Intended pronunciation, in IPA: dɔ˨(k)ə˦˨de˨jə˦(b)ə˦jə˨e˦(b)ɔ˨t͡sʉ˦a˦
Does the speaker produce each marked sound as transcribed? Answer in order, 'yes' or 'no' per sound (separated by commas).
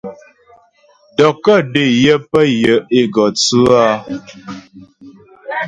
yes, no, no